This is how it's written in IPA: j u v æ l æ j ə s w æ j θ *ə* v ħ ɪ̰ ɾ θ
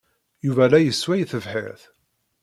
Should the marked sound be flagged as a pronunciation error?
no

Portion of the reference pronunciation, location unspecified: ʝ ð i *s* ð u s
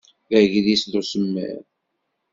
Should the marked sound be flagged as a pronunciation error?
no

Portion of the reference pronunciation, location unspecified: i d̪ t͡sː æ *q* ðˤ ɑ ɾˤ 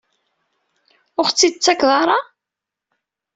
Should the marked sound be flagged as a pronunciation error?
yes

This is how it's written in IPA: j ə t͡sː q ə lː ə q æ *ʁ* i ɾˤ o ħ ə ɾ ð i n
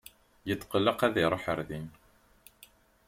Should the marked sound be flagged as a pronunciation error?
yes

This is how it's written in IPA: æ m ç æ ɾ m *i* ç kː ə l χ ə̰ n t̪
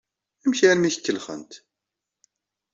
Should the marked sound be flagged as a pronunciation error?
no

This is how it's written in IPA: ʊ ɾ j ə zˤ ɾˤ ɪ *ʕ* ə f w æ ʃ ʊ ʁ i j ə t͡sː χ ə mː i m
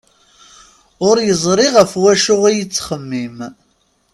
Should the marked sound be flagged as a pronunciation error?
yes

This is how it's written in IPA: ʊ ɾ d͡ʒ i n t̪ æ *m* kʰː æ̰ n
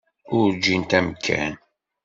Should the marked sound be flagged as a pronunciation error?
no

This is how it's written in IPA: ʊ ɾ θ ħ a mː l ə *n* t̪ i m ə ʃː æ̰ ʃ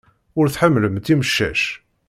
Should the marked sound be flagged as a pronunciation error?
yes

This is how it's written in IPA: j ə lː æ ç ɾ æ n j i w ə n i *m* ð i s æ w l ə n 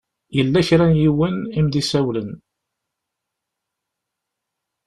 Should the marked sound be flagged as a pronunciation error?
no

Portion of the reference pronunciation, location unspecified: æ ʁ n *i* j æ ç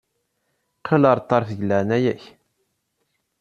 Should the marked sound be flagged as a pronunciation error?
yes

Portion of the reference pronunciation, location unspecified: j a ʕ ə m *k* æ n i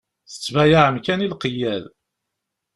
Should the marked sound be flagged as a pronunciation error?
no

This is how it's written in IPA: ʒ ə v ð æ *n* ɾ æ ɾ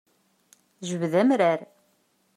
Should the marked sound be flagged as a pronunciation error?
yes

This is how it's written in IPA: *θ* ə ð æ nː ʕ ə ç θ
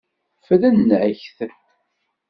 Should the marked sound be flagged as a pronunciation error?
yes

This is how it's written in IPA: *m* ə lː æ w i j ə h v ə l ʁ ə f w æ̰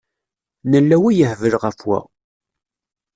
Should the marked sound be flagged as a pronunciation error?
yes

